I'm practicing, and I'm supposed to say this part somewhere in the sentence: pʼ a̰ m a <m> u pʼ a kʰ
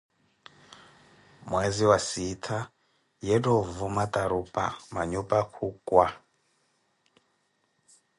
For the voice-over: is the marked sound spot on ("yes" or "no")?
no